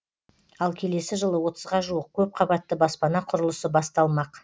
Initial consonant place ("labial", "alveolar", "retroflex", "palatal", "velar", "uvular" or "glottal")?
alveolar